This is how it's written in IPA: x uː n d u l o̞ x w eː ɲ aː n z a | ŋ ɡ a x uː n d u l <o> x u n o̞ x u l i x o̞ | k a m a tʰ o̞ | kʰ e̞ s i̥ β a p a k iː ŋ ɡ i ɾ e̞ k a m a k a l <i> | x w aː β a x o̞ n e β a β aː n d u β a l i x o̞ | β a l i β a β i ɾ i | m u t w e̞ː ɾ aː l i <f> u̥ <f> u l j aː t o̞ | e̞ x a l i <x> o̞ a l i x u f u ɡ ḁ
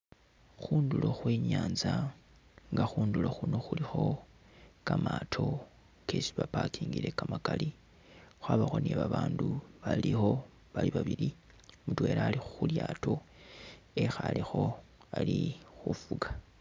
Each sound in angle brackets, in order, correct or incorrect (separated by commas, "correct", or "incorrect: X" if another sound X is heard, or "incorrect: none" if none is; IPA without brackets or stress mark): correct, correct, incorrect: x, incorrect: x, correct